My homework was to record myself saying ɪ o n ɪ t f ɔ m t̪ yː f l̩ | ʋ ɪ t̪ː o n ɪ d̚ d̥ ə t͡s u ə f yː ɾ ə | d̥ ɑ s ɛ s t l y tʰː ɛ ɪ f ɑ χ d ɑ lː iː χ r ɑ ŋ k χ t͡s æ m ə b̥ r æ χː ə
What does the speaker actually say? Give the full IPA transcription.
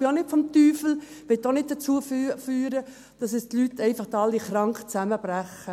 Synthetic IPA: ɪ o n ɪ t f ɔ m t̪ yː f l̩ | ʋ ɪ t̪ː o n ɪ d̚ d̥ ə t͡s u ə f yː ɾ ə | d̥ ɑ s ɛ s t l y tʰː ɛ ɪ f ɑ χ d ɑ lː i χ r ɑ ŋ k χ t͡s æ m ə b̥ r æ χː ə

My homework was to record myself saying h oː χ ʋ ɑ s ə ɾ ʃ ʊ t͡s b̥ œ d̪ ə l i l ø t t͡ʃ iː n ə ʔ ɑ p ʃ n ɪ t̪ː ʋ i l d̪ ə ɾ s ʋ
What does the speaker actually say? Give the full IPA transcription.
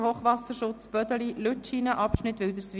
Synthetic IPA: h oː χ ʋ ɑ s ə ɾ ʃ ʊ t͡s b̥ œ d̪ ə l i l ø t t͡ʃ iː n ə ʔ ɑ p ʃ n ɪ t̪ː ʋ ɪ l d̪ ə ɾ s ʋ

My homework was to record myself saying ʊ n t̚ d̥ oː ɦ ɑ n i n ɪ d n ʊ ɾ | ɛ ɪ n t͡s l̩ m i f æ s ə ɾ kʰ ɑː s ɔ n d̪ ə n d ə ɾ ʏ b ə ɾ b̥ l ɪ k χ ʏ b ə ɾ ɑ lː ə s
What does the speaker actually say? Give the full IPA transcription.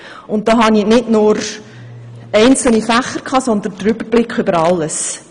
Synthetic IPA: ʊ n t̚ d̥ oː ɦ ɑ n i n ɪ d n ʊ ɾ | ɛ ɪ n t͡s l̩ n i f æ χ ə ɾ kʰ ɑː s ɔ n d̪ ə n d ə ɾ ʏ b ə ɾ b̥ l ɪ k χ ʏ b ə ɾ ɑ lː ə s

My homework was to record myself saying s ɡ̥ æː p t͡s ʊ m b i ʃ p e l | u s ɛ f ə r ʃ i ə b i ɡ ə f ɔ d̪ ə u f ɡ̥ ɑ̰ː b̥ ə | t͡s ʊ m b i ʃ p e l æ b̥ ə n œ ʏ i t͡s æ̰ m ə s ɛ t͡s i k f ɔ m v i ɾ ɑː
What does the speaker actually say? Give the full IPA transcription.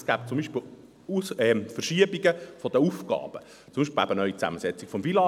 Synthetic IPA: s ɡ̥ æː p t͡s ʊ m b i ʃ p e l | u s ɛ f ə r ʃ i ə b i ɡ ə f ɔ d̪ ə u f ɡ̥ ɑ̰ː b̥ ə | t͡s ʊ m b i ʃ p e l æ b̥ ə n œ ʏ i t͡s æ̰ m ə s ɛ t͡s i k f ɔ m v i l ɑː

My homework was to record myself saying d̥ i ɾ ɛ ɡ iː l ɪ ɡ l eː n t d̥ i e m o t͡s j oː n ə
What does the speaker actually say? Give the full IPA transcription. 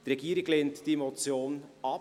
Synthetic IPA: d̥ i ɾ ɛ ɡ iː ɾ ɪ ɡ l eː n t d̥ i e m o t͡s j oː n ɑ

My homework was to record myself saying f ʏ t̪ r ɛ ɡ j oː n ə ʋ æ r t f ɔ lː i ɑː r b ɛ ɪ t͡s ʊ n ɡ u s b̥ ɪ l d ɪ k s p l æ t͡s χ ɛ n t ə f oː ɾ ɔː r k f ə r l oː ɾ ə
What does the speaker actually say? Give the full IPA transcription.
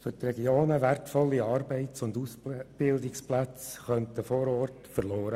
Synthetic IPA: f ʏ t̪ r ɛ ɡ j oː n ə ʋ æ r t f ɔ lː i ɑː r b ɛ ɪ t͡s ʊ n d u s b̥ ɪ l d ɪ k s p l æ t͡s χ œ n t ə f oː ɾ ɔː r t f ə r l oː ɾ ə

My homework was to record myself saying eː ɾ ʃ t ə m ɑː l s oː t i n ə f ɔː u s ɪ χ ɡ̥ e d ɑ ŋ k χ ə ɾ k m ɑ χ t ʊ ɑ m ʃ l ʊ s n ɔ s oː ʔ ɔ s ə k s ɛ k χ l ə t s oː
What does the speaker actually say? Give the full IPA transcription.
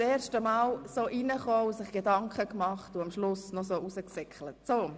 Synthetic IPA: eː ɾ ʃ t ə m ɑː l s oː ʔ i n ə χ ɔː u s ɪ χ ɡ̥ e d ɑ ŋ k χ ə k m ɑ χ t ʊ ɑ m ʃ l ʊ s n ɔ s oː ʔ u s ə k s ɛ k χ l ə t s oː

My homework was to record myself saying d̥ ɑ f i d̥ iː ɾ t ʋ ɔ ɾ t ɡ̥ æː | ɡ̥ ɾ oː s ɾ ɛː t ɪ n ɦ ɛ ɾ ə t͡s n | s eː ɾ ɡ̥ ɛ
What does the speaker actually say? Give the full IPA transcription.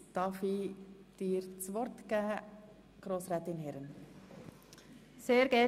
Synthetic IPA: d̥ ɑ f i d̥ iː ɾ t͡s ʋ ɔ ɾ t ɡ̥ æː | ɡ̥ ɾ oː s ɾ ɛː t ɪ n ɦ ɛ ɾ ə n | s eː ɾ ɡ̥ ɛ

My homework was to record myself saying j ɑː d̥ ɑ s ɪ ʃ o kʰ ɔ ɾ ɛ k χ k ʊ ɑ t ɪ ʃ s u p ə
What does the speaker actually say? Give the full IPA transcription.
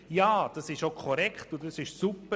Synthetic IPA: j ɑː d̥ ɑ s ɪ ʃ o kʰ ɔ ɾ ɛ k χ t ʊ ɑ s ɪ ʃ s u p ə

